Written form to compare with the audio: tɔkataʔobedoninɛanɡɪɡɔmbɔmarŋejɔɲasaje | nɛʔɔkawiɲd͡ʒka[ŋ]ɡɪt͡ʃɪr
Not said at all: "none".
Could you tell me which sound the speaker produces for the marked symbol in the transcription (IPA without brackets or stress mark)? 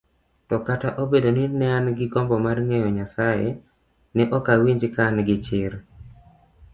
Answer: n